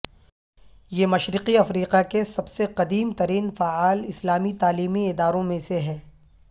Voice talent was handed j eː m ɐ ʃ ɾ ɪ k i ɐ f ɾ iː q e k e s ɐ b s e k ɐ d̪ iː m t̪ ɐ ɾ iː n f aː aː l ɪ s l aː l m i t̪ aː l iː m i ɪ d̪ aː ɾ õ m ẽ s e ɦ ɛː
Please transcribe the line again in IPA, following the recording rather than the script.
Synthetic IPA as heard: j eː m ɐ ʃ ɾ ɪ q i ɐ f ɾ iː q a k e s ɐ b s e q ɐ d̪ iː m t̪ ɐ ɾ iː n f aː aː l ɪ s l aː m i t̪ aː l iː m i ɪ d̪ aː ɾ õ m ẽ s e ɦ ɛː